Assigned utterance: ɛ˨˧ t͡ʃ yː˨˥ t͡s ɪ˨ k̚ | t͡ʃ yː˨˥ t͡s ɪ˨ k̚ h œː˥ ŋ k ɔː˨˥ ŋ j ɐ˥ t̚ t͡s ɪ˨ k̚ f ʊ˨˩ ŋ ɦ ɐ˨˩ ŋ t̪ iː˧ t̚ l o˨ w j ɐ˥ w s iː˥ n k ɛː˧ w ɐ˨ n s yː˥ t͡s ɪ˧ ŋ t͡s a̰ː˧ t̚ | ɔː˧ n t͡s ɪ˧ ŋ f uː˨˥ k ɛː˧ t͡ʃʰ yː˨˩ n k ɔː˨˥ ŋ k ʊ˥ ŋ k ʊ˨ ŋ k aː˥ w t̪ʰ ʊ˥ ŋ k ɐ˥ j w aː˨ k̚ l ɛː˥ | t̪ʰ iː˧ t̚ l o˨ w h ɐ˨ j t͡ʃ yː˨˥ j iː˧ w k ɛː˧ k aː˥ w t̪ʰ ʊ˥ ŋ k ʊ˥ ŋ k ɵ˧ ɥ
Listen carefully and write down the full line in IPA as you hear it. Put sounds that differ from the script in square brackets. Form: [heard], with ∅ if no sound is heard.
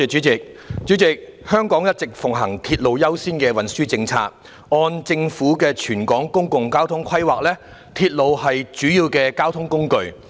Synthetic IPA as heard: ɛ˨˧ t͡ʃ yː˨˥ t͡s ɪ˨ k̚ | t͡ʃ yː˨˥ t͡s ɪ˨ k̚ h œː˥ ŋ k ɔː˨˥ ŋ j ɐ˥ t̚ t͡s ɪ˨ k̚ f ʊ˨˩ ŋ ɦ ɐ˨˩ ŋ [t̪ʰ] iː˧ t̚ l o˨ w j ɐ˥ w s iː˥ n k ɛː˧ w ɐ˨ n s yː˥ t͡s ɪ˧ ŋ [t͡sʰ] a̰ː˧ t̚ | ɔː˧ n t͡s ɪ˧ ŋ f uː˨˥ k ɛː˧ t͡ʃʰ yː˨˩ n k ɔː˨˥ ŋ k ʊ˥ ŋ k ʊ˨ ŋ k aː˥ w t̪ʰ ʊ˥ ŋ [kʰ] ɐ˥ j w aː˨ k̚ l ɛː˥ | t̪ʰ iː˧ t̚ l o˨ w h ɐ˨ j t͡ʃ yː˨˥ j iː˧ w k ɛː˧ k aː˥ w t̪ʰ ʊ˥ ŋ k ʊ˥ ŋ k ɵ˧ ɥ